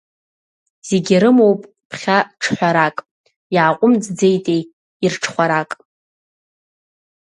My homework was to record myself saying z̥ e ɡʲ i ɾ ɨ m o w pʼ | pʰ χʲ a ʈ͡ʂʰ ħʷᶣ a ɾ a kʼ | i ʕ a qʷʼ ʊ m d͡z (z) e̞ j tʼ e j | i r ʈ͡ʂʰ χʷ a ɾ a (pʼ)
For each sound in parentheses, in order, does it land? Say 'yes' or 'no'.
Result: no, no

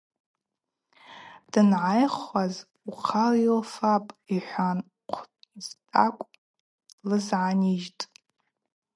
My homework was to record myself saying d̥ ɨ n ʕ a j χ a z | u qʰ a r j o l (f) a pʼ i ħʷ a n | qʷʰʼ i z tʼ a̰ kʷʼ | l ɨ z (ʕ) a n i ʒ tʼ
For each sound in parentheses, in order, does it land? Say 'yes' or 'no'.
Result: yes, yes

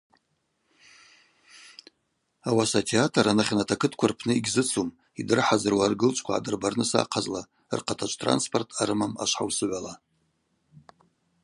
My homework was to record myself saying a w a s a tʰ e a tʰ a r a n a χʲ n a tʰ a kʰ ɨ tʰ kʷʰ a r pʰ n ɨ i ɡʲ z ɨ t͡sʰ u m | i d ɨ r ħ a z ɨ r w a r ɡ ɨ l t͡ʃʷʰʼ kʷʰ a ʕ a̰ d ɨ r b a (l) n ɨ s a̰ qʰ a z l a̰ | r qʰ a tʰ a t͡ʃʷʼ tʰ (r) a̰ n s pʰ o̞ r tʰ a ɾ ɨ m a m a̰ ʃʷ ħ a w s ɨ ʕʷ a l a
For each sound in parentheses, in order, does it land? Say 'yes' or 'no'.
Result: no, yes

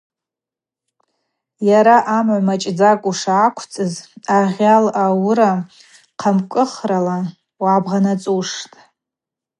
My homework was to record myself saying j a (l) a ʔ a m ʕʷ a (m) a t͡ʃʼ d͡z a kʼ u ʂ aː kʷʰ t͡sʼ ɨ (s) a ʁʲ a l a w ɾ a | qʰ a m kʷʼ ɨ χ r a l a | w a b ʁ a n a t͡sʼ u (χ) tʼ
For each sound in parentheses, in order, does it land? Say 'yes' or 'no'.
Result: no, yes, no, no

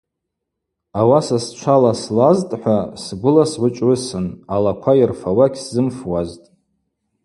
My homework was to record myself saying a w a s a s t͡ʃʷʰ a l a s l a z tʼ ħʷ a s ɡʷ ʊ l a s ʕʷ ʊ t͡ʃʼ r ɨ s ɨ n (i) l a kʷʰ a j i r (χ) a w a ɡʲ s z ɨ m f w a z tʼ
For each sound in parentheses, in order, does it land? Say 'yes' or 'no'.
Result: no, no

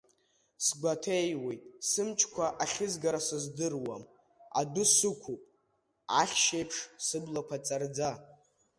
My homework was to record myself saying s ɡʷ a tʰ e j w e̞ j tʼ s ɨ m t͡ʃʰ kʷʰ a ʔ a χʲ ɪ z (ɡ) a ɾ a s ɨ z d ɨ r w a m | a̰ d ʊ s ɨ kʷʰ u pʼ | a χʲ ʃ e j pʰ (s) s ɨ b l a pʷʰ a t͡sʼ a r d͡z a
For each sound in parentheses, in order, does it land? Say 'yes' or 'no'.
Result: yes, no

